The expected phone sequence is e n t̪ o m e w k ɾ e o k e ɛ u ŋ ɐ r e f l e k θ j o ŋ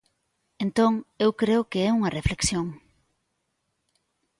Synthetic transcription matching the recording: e n t̪ o ŋ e w k ɾ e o k e ɛ u ŋ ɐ r e f l e k s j o ŋ